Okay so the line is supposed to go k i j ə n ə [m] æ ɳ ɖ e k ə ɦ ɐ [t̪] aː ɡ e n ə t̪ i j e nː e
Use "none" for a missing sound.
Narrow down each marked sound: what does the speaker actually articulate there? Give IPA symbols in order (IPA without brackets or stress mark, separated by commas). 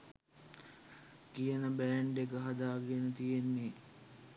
b, d̪